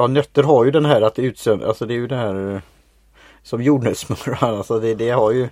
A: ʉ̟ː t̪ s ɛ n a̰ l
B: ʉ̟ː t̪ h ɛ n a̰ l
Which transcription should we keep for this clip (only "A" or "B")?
A